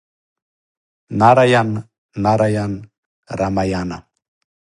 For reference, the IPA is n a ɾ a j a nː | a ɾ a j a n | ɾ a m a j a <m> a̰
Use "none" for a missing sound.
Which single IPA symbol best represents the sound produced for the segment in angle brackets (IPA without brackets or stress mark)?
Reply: n